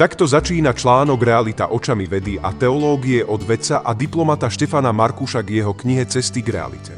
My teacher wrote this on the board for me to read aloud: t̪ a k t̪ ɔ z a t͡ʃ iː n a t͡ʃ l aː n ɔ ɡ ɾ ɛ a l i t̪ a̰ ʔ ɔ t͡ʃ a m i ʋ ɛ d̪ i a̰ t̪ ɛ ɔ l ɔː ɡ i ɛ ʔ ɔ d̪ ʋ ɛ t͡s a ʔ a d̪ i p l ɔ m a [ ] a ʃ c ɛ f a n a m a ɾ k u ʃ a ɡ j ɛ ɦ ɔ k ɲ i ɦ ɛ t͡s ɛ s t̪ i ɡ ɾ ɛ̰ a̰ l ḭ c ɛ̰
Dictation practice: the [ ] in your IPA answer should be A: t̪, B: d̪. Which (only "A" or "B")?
A